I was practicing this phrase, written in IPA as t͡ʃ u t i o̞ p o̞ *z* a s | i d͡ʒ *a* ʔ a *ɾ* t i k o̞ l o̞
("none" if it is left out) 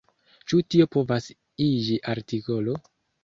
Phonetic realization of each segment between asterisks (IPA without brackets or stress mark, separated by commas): v, i, ɾ